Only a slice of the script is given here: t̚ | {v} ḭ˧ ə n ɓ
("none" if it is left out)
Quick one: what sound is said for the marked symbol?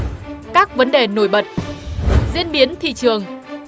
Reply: z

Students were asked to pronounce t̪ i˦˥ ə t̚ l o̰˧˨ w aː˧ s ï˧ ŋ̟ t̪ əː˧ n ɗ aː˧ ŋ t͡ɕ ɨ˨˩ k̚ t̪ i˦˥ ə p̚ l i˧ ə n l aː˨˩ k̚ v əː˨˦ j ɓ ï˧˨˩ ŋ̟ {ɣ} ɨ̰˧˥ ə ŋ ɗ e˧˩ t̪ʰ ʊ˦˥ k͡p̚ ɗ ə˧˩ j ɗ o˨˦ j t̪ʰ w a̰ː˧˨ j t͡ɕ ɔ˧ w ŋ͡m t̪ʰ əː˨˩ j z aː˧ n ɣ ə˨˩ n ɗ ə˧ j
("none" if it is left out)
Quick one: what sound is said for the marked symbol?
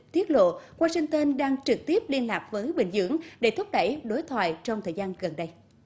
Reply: z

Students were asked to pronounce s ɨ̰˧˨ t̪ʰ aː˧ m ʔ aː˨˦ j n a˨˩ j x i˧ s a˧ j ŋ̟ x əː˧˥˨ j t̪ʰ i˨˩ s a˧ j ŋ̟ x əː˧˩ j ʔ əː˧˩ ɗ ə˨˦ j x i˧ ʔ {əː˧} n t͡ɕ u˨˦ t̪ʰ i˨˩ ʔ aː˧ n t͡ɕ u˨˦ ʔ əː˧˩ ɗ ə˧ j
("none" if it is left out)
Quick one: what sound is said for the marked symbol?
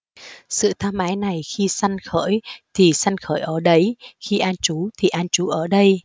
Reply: aː˧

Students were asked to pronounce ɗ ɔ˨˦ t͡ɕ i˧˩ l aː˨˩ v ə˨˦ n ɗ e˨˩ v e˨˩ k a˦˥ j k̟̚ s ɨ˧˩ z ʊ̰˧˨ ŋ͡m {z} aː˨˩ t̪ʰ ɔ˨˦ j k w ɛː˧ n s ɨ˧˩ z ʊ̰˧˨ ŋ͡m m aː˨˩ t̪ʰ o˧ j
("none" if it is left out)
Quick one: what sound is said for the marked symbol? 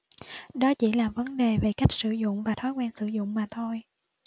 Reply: v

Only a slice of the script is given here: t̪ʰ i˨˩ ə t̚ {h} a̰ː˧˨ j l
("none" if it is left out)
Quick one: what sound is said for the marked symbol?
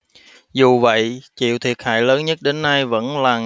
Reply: h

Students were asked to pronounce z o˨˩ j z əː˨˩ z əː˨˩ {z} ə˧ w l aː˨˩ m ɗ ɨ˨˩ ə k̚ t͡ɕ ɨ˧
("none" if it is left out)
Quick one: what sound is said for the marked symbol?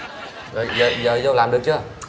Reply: z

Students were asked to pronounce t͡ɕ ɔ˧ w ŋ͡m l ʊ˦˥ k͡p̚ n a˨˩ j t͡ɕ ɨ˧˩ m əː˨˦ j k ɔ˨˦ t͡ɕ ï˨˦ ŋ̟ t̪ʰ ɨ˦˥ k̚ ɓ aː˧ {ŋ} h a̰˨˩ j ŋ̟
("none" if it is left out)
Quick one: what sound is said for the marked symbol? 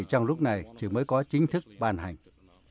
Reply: n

